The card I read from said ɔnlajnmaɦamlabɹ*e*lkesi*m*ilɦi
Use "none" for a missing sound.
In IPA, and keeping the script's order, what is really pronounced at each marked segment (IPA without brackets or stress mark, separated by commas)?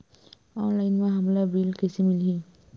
i, m